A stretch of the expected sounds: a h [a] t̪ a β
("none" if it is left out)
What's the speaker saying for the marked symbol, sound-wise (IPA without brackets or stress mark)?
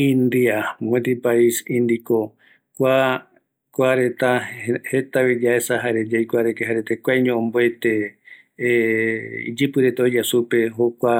e